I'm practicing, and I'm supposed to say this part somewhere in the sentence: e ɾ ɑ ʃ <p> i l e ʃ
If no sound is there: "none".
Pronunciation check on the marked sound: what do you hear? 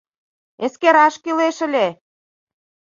k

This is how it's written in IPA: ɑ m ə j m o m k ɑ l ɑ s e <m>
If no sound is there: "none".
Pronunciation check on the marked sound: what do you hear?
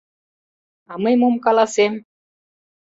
m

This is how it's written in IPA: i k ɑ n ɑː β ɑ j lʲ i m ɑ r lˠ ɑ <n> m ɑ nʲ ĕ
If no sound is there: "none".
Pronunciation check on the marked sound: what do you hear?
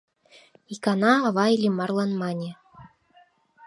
n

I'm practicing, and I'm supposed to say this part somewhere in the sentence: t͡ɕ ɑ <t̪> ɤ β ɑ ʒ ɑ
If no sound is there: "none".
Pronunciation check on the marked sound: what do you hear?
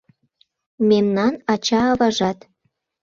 none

